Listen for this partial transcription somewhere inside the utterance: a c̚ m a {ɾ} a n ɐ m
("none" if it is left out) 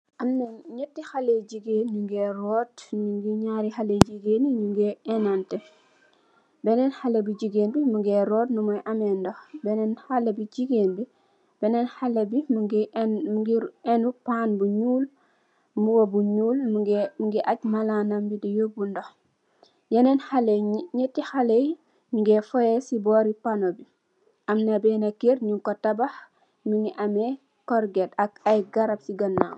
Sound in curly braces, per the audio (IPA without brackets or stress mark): l